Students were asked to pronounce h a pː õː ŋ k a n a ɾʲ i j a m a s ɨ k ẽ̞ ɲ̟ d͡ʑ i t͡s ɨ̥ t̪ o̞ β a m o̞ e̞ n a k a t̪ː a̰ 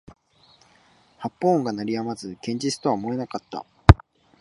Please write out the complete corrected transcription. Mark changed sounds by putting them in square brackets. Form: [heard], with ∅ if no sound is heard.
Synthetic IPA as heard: h a pː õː ŋ [ɡ] a n a ɾʲ i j a m a [z] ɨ k ẽ̞ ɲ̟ d͡ʑ i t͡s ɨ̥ t̪ o̞ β a m o̞ e̞ n a k a t̪ː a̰